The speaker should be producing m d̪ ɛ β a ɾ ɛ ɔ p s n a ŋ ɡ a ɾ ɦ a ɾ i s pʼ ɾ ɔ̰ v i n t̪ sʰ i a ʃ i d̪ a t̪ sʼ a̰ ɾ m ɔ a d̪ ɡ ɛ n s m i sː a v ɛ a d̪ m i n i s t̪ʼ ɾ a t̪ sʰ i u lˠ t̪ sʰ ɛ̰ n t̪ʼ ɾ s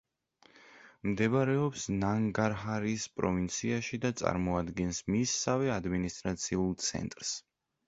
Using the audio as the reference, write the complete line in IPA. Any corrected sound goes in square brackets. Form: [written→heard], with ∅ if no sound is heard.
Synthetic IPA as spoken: m d̪ ɛ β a ɾ ɛ ɔ p s n a ŋ ɡ a ɾ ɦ a ɾ i s pʼ ɾ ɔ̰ v i n t̪ sʰ i a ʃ i d̪ a t̪ sʼ a̰ ɾ m ɔ a d̪ ɡ ɛ n s m i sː a v ɛ a d̪ m i n i s t̪ʼ ɾ a t̪ sʰ i u lˠ t̪ sʰ ɛ̰ n t̪ʼ ɾ s